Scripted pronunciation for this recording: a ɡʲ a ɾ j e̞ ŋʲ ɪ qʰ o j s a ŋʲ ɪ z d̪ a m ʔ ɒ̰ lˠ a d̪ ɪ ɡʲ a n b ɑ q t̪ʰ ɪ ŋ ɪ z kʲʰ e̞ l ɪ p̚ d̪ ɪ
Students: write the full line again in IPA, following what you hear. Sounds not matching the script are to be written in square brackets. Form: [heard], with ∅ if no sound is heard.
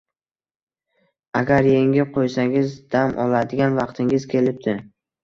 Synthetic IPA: a ɡʲ a ɾ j e̞ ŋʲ ɪ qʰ o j s a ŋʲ ɪ z d̪ a m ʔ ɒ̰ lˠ a d̪ ɪ ɡʲ a n [v] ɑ q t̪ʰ ɪ ŋ ɪ z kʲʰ e̞ l ɪ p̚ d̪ ɪ